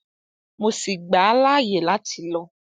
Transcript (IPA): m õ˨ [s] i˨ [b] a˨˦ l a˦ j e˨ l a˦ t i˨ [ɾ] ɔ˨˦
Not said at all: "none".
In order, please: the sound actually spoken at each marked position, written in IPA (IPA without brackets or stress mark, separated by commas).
s, ɡ͡b, l